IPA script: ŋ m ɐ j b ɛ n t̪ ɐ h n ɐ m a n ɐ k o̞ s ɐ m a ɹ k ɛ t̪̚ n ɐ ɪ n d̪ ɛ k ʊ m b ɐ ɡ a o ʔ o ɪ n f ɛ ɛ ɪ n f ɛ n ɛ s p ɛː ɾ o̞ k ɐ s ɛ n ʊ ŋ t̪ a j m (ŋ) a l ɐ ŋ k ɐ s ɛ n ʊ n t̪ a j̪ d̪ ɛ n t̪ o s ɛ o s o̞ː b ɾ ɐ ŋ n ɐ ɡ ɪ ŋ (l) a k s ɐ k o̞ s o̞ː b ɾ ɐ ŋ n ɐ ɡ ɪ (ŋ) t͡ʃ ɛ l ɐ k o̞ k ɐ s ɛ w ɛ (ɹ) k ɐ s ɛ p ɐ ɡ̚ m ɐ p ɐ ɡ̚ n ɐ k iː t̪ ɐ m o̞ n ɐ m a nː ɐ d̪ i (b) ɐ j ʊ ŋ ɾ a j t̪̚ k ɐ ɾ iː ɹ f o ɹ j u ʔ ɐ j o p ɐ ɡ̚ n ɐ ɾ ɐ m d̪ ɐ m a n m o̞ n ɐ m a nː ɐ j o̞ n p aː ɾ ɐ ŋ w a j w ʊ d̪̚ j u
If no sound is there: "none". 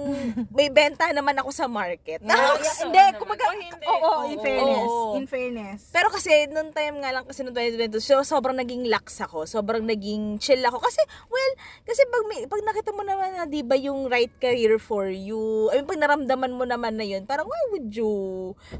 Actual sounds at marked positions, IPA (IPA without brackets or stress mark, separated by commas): ŋ, l, ŋ, l, b